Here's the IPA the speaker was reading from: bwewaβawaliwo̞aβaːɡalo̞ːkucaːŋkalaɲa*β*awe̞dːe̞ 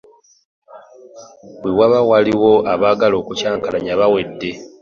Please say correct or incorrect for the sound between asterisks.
correct